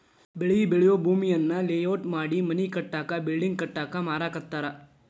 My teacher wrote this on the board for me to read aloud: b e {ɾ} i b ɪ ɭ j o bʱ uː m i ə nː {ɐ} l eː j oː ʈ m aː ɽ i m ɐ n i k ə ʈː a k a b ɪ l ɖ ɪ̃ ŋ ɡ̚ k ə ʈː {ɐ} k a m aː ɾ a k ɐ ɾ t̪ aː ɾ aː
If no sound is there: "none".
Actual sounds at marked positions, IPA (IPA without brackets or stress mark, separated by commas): ɭ, a, a